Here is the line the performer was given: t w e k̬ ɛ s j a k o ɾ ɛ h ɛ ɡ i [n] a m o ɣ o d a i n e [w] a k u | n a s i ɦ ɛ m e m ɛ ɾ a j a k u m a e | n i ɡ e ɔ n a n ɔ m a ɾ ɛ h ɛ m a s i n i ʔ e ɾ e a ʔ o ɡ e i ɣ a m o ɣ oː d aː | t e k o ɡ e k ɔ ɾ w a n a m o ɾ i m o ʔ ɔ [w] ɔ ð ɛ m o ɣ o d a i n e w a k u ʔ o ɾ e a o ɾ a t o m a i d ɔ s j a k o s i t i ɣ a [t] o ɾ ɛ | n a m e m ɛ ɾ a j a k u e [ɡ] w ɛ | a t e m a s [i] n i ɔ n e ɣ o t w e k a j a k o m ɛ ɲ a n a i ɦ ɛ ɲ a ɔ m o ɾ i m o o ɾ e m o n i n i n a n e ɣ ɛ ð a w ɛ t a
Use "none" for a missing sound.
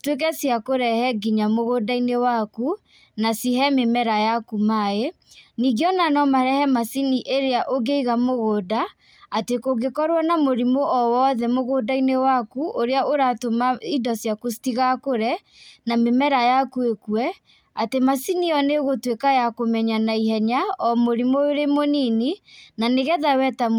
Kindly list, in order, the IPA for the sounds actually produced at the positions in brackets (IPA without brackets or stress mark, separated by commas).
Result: ɲ, w, w, k, k, i